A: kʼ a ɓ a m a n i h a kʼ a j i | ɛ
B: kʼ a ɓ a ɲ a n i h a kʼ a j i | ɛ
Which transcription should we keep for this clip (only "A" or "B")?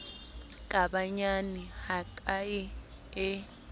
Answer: B